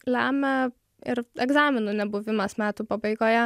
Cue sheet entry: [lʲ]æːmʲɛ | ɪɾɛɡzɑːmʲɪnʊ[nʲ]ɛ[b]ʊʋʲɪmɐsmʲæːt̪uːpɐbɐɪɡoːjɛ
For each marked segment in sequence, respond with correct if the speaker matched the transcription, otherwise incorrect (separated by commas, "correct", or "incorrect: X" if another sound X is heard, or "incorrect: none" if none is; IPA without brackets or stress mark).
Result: correct, correct, correct